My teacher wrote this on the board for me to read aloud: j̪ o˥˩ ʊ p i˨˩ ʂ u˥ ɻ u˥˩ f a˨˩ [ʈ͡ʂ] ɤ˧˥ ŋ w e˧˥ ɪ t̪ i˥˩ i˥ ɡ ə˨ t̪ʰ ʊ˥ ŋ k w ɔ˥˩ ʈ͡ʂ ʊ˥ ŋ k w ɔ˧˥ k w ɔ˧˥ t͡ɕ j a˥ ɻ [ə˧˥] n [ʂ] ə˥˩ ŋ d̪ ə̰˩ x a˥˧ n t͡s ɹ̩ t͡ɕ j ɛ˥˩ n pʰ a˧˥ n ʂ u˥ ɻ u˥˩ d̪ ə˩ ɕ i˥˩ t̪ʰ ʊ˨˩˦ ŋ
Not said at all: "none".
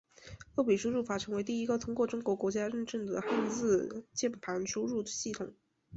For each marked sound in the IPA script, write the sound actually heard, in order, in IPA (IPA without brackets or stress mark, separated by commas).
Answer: ʈ͡ʂʰ, ə˥˧, ʈ͡ʂ